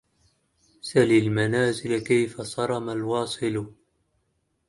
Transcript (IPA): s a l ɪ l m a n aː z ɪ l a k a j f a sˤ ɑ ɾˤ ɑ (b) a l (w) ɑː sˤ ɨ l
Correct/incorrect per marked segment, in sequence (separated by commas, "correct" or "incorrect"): incorrect, correct